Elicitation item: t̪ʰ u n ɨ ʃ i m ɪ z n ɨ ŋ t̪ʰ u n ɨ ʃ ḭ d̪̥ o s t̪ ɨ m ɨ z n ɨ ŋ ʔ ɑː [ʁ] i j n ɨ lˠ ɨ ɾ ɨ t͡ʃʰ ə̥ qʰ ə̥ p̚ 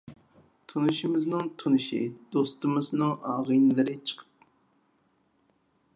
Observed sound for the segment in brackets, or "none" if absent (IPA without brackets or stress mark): ʁ